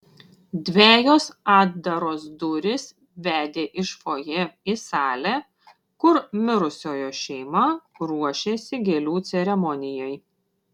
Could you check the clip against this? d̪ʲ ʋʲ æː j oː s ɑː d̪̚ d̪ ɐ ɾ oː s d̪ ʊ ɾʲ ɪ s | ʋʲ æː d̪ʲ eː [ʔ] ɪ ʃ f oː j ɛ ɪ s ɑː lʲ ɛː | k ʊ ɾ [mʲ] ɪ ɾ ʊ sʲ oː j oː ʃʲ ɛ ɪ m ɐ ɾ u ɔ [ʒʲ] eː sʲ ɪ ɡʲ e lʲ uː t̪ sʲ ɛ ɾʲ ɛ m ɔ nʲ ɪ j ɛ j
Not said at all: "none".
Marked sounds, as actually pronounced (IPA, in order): ʔ, mʲ, ʃʲ

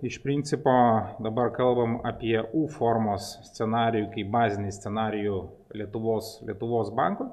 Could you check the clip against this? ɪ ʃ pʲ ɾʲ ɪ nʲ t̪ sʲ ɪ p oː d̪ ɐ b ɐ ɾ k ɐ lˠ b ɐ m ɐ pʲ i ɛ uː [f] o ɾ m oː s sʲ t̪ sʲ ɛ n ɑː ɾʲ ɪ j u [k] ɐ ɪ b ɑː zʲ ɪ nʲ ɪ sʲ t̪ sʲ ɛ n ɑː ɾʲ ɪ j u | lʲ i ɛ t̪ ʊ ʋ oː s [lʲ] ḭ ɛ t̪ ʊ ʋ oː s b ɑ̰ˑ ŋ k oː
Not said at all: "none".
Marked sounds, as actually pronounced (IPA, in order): f, k, lʲ

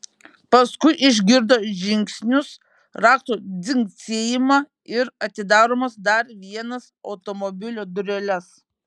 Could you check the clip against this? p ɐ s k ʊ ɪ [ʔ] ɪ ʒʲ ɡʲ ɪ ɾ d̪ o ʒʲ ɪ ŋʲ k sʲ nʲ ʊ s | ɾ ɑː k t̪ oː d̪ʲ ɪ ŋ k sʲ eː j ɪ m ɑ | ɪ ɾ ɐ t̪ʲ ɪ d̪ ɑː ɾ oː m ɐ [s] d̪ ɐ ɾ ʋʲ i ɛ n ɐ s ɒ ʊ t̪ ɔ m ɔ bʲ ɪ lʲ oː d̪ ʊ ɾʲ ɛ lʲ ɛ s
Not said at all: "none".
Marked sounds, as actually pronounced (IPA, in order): ʔ, s

